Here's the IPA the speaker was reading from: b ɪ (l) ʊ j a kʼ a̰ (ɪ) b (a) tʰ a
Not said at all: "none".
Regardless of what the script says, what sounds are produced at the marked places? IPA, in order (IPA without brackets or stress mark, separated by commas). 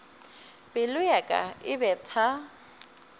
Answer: l, ɪ, ɛ